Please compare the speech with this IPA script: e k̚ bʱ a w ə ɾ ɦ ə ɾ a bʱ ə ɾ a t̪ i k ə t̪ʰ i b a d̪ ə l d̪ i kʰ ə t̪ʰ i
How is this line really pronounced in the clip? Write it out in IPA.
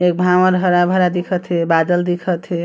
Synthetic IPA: e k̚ bʱ a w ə ɾ ɦ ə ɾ a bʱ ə ɾ a d̪ i kʰ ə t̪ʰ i b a d̪ ə l d̪ i kʰ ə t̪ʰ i